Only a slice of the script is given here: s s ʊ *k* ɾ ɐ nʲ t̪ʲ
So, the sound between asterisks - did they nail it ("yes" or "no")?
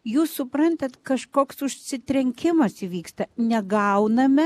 no